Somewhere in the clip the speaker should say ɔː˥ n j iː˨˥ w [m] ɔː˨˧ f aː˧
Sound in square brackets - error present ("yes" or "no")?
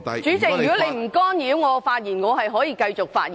yes